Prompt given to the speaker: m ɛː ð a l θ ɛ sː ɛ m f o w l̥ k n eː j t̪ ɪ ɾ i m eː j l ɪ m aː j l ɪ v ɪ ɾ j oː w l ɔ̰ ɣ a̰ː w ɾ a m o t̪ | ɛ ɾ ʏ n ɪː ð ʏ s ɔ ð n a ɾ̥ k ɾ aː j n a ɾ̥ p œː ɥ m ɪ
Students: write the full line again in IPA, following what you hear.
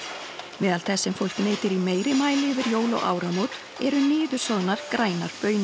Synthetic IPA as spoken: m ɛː ð a l θ ɛ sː ɛ m f o w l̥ k n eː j t̪ ɪ ɾ i m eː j ɾ ɪ m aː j l ɪ v ɪ ɾ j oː w l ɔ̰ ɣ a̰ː w ɾ a m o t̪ | ɛ ɾ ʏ n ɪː ð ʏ s ɔ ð n a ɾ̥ k ɾ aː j n a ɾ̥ p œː ɥ n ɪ